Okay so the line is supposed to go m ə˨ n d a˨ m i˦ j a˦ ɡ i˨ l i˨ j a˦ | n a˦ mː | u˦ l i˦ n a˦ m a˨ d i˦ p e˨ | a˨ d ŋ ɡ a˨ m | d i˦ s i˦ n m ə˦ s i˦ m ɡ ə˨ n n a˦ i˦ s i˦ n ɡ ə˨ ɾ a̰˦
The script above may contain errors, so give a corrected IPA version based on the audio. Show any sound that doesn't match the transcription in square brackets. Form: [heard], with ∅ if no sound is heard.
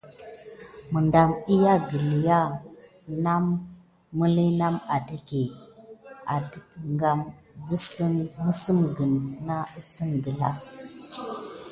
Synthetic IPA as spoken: m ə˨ n d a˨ m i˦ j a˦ ɡ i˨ l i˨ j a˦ | n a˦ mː | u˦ l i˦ n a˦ m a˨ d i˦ [k] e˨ | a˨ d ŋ ɡ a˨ m | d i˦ s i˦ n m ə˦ s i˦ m ɡ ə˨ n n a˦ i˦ s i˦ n ɡ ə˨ [l] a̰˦